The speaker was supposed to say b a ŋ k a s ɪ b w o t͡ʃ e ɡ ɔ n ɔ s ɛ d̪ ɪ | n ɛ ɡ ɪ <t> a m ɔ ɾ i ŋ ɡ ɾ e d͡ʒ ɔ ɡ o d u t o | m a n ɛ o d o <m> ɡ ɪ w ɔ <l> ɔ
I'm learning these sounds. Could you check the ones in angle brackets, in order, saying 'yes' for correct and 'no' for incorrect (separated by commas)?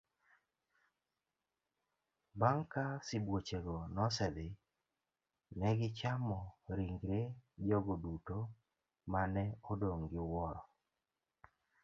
no, no, no